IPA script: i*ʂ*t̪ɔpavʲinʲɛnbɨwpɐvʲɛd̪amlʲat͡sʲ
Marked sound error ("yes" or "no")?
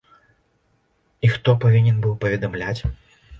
yes